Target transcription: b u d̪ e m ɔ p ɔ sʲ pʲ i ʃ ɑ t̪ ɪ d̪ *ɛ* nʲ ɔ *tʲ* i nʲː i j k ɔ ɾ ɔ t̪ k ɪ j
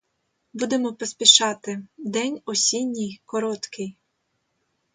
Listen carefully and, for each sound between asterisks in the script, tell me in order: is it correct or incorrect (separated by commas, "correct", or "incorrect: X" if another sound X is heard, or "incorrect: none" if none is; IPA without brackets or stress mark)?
correct, incorrect: sʲ